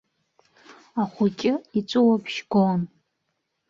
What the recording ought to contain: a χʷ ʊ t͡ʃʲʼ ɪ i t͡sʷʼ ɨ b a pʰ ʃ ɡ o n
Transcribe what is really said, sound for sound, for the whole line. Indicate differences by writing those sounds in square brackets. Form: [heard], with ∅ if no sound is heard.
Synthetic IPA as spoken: a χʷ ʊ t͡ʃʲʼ ɪ i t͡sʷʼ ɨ [w] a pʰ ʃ ɡ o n